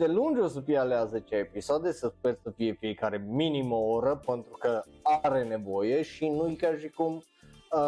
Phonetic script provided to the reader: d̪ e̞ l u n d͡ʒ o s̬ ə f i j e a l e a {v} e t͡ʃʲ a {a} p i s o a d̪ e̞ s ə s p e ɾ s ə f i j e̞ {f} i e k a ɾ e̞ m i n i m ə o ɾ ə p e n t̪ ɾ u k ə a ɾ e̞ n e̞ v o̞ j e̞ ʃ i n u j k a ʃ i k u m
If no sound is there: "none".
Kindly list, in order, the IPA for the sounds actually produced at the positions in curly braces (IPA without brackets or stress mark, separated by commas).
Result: z, e, f